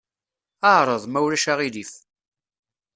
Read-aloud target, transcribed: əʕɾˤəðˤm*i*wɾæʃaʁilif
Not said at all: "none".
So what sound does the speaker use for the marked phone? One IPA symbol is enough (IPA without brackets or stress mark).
æ